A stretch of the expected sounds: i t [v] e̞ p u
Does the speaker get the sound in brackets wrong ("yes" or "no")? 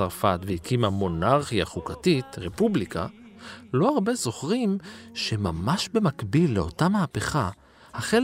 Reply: yes